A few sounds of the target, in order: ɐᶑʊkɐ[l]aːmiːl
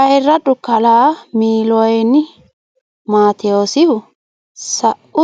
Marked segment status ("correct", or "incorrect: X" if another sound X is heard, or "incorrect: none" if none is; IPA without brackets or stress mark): correct